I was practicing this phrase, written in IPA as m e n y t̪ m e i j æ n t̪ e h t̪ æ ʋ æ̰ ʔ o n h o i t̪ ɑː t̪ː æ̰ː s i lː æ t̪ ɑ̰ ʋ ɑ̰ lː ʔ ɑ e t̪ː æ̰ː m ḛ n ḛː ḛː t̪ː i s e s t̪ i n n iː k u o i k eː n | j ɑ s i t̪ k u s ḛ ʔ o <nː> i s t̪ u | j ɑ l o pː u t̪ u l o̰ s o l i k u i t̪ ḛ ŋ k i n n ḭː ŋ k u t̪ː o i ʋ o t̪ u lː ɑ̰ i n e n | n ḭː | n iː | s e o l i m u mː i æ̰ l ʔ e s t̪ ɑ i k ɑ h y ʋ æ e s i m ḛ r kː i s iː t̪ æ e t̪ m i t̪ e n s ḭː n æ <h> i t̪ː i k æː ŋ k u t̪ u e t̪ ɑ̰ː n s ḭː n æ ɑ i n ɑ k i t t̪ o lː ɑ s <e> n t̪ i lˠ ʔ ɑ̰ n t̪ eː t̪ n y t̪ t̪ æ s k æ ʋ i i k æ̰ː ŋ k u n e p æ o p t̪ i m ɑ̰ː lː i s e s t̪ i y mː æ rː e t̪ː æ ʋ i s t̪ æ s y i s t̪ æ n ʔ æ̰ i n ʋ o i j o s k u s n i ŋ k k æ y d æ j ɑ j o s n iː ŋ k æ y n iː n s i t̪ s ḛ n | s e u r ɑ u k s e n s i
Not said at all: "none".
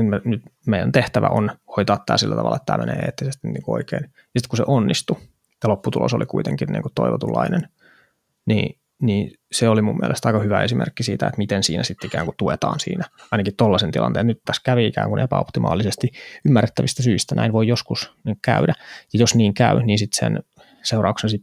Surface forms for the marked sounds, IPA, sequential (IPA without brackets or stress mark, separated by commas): nː, s, e